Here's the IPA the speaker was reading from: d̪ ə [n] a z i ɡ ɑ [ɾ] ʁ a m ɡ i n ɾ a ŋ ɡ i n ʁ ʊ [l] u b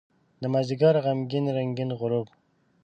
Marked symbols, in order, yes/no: no, yes, no

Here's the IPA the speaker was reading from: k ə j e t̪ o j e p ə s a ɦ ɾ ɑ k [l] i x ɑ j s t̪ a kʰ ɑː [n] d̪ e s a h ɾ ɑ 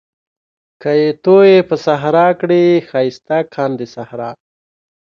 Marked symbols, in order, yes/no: no, yes

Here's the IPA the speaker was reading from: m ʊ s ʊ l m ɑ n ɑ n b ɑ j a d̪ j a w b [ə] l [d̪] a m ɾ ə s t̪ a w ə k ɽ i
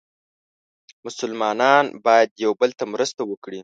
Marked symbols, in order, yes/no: yes, no

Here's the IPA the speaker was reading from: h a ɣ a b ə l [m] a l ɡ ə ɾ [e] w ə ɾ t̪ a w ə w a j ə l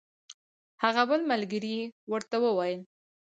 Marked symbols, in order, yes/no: yes, no

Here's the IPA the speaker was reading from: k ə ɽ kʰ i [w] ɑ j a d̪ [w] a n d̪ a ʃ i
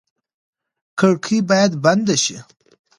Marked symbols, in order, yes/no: no, no

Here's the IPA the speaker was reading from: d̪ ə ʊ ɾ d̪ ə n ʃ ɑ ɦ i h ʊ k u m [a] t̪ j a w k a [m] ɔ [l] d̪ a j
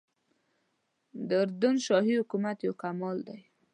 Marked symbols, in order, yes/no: yes, yes, yes

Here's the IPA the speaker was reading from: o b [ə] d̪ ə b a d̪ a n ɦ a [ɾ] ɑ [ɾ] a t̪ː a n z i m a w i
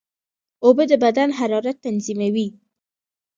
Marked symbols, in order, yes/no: yes, yes, yes

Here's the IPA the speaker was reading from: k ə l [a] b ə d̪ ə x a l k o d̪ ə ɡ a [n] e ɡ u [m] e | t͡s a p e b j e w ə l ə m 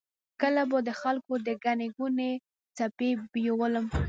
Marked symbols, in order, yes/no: yes, yes, no

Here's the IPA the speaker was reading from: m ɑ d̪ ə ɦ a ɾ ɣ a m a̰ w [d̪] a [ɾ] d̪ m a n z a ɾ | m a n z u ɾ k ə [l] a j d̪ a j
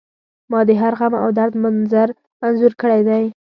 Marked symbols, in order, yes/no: yes, yes, no

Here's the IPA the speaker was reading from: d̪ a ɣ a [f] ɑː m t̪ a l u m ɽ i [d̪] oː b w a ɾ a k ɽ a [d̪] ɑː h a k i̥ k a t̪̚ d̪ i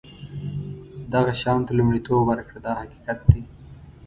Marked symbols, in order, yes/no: no, no, yes

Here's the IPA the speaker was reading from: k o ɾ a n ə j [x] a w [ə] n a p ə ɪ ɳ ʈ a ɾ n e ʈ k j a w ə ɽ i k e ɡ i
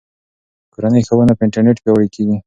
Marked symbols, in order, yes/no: yes, yes

